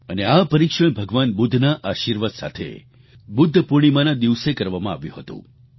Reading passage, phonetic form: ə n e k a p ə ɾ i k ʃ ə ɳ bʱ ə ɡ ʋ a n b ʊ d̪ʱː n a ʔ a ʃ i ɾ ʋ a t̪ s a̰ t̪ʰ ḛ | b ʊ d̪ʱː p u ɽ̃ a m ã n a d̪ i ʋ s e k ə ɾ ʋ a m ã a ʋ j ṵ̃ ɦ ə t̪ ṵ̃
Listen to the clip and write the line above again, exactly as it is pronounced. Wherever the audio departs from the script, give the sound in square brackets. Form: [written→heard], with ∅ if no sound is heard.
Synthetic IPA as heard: ə n e [k→∅] a p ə ɾ i k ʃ ə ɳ bʱ ə ɡ ʋ a n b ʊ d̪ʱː n a ʔ a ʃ i ɾ ʋ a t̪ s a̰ t̪ʰ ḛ | b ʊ d̪ʱː p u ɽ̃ [a→i] m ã n a d̪ i ʋ s e k ə ɾ ʋ a m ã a ʋ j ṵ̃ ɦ ə t̪ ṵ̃

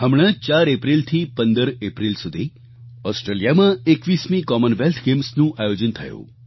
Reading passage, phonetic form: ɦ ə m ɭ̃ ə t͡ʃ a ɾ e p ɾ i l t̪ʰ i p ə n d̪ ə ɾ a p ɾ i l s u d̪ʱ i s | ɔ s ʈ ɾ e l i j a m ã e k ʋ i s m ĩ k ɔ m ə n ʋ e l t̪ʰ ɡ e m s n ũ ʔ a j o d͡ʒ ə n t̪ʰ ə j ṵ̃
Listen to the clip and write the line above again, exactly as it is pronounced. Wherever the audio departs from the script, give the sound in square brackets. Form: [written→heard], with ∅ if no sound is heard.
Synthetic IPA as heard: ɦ ə m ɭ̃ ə t͡ʃ a ɾ e p ɾ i l t̪ʰ i p ə n d̪ ə ɾ [a→e] p ɾ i l s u d̪ʱ i [s→∅] | ɔ s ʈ ɾ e l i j a m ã e k ʋ i s m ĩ k ɔ m ə n ʋ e l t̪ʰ ɡ e m s n ũ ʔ a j o d͡ʒ ə n t̪ʰ ə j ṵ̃

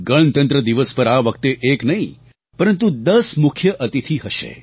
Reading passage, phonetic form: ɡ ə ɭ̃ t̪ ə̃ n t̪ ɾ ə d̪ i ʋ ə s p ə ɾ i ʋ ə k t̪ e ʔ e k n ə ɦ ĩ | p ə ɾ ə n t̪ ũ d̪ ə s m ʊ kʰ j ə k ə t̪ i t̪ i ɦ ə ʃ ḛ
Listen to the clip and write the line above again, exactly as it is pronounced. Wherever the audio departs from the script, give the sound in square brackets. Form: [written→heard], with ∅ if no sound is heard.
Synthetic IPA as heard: ɡ ə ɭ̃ t̪ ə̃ n t̪ ɾ ə d̪ i ʋ ə s p ə ɾ [i→a] ʋ ə k t̪ e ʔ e k n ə ɦ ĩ | p ə ɾ ə n t̪ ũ d̪ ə s m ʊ kʰ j ə [k→ʔ] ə t̪ i [t̪→t̪ʰ] i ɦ ə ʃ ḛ

